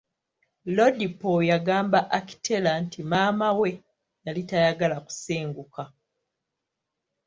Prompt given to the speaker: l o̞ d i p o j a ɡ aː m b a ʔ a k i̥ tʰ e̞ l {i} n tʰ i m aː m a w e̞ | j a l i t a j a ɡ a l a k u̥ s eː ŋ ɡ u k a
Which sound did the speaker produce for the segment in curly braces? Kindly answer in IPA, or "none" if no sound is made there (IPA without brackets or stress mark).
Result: a